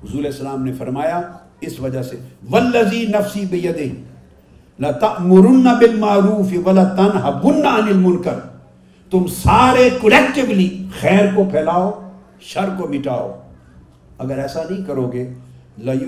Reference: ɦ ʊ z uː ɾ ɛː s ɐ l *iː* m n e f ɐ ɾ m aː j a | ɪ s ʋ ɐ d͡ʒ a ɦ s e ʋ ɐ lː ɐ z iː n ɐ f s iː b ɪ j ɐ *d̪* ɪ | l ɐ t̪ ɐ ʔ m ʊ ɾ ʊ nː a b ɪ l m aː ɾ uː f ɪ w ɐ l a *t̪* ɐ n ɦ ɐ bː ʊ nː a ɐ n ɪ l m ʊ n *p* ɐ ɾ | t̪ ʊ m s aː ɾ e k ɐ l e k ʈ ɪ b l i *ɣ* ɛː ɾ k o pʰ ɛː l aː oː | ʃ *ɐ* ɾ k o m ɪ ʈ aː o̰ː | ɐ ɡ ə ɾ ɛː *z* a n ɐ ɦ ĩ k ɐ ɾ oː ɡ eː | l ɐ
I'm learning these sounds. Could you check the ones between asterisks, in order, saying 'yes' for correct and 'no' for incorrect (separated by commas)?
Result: no, yes, yes, no, no, yes, no